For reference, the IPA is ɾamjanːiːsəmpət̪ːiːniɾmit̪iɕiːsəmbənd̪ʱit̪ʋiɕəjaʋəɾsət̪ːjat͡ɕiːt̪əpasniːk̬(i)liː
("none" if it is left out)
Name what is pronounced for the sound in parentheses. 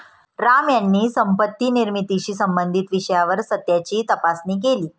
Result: e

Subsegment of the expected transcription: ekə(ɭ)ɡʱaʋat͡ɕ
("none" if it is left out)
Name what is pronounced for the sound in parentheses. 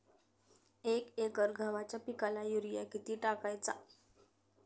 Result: ɾ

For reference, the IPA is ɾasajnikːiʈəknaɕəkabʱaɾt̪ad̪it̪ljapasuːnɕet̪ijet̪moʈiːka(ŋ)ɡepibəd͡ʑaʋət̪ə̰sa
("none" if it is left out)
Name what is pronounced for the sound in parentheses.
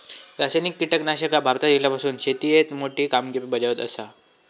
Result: m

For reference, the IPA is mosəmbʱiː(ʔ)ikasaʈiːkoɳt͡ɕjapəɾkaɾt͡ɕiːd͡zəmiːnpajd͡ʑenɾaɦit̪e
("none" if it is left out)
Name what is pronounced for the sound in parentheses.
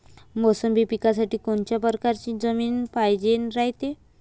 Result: p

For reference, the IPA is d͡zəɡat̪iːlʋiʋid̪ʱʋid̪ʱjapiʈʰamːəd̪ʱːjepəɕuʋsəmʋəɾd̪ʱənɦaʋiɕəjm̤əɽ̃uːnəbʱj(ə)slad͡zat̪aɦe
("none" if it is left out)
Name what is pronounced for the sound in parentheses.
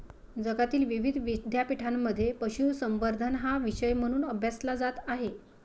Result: a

